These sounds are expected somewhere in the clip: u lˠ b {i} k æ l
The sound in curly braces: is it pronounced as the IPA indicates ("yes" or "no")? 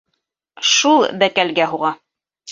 no